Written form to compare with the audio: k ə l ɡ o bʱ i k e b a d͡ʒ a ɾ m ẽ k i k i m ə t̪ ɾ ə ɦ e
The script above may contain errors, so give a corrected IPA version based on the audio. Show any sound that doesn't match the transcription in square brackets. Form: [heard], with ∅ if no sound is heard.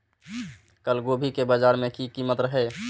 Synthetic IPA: k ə l ɡ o bʱ i k e b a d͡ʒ a ɾ m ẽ k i k i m ə t̪ ɾ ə ɦ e